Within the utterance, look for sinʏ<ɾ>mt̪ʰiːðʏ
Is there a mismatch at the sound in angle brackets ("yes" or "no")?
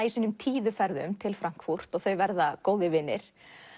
yes